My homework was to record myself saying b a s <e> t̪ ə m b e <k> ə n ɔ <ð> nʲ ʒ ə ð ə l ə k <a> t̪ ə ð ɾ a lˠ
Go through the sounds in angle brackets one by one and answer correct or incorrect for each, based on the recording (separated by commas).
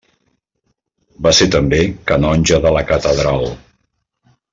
correct, correct, incorrect, incorrect